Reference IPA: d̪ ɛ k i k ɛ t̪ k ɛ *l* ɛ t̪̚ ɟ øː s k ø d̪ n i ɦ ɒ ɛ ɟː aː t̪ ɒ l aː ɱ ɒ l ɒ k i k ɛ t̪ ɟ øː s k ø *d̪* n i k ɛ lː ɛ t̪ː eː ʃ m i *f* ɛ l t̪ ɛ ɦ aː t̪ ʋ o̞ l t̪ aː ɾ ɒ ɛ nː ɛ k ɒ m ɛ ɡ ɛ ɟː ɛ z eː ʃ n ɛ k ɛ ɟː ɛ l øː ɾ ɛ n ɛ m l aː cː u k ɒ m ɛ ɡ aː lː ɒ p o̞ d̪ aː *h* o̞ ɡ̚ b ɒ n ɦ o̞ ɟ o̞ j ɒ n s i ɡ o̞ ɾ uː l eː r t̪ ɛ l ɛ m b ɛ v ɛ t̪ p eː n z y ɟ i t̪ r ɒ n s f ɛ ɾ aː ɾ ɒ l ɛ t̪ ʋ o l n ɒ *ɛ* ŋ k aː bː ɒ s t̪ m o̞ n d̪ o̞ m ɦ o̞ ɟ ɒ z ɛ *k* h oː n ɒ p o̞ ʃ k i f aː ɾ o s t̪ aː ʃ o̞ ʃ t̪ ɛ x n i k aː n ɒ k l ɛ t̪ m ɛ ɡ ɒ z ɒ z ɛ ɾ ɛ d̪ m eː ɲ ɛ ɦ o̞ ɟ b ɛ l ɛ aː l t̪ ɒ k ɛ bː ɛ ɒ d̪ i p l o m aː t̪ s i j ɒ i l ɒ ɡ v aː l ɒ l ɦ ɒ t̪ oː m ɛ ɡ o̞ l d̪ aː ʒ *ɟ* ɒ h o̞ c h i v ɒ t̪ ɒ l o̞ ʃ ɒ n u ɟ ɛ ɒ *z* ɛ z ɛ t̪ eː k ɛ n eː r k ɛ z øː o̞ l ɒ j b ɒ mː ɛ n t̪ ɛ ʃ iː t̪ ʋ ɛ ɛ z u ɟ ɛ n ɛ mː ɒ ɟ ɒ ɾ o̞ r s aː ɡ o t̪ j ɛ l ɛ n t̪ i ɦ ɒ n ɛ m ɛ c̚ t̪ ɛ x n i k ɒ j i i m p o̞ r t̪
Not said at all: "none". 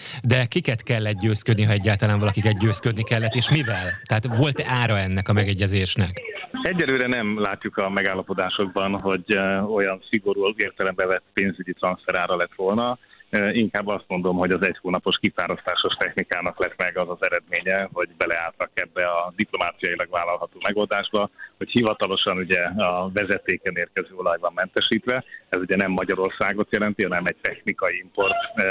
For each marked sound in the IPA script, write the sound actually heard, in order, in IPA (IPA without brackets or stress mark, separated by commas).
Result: lː, d̪, v, ʃ, i, c, b, v